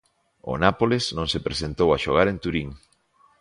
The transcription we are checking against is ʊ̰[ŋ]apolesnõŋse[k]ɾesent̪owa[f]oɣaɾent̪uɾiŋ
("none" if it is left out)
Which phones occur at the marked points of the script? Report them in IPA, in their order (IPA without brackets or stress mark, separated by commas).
n, p, ʃ